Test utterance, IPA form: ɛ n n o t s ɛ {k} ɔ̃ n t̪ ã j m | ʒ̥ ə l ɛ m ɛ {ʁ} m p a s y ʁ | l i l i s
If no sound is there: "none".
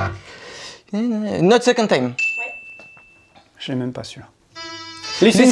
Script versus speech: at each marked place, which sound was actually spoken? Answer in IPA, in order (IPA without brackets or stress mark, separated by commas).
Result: k, none